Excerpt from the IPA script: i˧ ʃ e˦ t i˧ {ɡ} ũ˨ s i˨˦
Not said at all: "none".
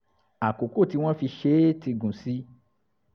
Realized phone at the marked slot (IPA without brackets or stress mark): ɡ